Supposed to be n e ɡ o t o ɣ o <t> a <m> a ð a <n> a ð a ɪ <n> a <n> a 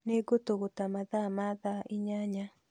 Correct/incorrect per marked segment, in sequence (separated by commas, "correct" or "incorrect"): correct, correct, incorrect, incorrect, incorrect